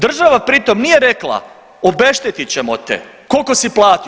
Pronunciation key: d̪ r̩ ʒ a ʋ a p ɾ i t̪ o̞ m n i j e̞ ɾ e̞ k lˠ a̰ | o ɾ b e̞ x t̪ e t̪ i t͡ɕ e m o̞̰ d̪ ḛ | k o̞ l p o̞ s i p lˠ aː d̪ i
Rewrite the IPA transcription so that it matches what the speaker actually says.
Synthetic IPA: d̪ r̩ ʒ a ʋ a p ɾ i t̪ o̞ m n i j e̞ ɾ e̞ k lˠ a̰ | o b e̞ ʃ t̪ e t̪ i t͡ɕ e m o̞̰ t̪ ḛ | k o̞ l k o̞ s i p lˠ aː t̪ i